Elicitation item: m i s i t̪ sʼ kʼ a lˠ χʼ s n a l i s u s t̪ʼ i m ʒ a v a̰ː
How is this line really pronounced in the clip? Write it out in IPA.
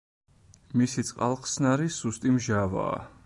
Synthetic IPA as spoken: m i s i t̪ sʼ qʼ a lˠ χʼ s n a ɾ i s u s t̪ʼ i m ʒ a v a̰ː